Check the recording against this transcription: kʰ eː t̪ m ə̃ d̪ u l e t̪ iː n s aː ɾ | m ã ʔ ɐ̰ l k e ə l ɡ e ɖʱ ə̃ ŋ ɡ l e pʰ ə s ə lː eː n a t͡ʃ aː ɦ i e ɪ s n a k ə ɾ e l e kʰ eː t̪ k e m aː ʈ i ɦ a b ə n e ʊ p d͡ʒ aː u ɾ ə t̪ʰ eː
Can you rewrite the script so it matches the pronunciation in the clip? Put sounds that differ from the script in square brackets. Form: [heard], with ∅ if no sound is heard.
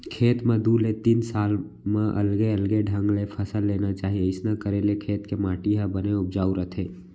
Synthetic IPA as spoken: kʰ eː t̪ m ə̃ d̪ u l e t̪ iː n s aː [l] | m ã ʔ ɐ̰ l [ɡ] e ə l ɡ e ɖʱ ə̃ ŋ ɡ l e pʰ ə s ə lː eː n a t͡ʃ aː ɦ i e ɪ s n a k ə ɾ e l e kʰ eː t̪ k e m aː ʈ i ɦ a b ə n e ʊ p d͡ʒ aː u ɾ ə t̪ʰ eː

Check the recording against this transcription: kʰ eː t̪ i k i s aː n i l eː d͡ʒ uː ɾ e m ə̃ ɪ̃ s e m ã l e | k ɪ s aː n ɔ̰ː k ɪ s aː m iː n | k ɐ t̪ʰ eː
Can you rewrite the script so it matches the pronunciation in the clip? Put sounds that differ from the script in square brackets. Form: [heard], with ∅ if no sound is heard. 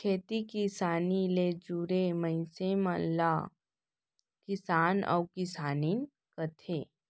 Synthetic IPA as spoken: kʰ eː t̪ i k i s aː n i l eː d͡ʒ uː ɾ e m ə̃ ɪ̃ s e m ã l [a] | k ɪ s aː n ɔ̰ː k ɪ s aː [n] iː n | k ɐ t̪ʰ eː

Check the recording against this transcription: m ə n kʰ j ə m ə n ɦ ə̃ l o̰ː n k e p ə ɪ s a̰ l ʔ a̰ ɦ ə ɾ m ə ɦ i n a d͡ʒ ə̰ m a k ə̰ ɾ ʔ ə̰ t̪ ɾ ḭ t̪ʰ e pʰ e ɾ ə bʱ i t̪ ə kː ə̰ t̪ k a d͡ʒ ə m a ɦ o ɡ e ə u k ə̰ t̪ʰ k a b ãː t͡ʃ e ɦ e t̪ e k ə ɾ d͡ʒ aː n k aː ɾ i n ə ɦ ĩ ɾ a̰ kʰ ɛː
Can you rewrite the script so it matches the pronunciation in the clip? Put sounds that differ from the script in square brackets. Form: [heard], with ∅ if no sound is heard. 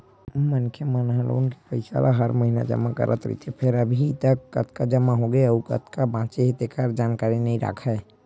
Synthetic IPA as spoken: m ə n kʰ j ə m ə n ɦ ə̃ l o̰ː n k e p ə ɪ s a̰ l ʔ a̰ ɦ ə ɾ m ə ɦ i n a d͡ʒ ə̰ m a k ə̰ ɾ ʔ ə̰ t̪ ɾ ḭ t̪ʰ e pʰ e ɾ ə bʱ i t̪ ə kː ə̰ t̪ k a d͡ʒ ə m a ɦ o ɡ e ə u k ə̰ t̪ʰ k a b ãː t͡ʃ e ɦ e t̪ e k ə ɾ d͡ʒ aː n k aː ɾ i n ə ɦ ĩ ɾ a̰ kʰ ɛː

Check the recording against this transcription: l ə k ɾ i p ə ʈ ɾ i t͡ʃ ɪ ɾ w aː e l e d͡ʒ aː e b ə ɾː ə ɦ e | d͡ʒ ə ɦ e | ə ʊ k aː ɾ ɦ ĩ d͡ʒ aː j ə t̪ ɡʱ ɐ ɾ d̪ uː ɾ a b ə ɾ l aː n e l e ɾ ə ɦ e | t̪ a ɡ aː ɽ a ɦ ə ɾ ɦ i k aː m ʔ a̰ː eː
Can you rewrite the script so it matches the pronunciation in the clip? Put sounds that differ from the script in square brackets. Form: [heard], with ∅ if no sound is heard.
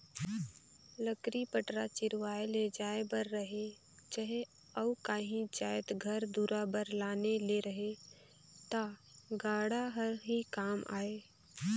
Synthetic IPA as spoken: l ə k ɾ i p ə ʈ ɾ [a] t͡ʃ ɪ ɾ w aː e l e d͡ʒ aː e b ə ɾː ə ɦ e | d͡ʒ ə ɦ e | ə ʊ k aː [∅] ɦ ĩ d͡ʒ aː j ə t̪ ɡʱ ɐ ɾ d̪ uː ɾ a b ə ɾ l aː n e l e ɾ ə ɦ e | t̪ a ɡ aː ɽ a ɦ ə ɾ ɦ i k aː m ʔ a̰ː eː

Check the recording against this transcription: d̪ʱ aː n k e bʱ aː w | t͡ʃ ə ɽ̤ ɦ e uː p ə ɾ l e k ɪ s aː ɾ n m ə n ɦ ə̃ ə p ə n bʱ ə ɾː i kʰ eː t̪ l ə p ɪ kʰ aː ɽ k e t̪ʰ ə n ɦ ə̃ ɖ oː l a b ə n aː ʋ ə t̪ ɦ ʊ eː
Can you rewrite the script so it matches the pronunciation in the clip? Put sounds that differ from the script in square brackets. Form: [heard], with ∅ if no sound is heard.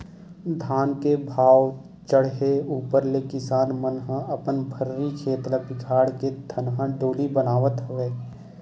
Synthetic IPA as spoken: d̪ʱ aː n k e bʱ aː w | t͡ʃ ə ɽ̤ ɦ e uː p ə ɾ l e k ɪ s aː [∅] n m ə n ɦ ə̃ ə p ə n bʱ ə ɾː i kʰ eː t̪ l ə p ɪ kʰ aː ɽ k e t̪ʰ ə n ɦ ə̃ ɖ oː l [i] b ə n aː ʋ ə t̪ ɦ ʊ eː

